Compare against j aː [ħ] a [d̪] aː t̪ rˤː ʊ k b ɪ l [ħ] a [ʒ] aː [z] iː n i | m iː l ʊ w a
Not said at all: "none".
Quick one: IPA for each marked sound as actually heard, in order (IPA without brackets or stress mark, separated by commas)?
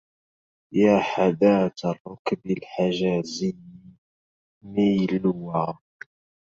ħ, d̪, ħ, ʒ, z